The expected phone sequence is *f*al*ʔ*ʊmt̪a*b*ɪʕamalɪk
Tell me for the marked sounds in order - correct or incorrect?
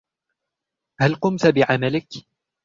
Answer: incorrect, incorrect, correct

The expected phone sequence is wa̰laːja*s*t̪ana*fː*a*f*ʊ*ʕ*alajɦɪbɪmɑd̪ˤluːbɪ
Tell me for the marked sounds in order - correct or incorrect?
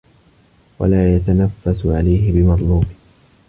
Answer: incorrect, correct, incorrect, correct

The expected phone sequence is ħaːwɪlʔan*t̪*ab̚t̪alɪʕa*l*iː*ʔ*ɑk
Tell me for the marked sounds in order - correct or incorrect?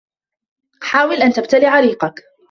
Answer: correct, incorrect, incorrect

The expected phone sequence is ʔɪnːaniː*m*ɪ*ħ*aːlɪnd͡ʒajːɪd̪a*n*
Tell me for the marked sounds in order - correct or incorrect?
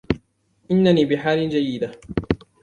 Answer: incorrect, correct, incorrect

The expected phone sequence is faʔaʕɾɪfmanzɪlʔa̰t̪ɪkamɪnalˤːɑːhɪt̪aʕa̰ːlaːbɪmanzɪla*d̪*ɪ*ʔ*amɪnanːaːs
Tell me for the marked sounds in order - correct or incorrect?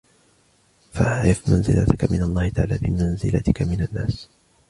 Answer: incorrect, incorrect

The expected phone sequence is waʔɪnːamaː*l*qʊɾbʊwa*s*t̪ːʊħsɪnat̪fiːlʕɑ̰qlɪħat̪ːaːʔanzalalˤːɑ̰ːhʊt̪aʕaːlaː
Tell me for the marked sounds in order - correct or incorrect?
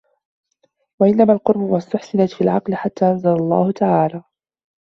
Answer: correct, correct

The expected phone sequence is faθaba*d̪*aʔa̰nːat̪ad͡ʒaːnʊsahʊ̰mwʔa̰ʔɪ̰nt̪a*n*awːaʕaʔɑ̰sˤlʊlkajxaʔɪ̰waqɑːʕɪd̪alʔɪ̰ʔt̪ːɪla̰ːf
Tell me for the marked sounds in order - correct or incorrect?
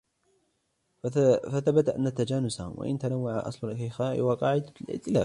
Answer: incorrect, correct

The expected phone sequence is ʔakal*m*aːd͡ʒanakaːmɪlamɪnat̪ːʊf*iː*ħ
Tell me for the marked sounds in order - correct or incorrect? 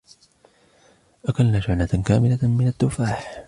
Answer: incorrect, incorrect

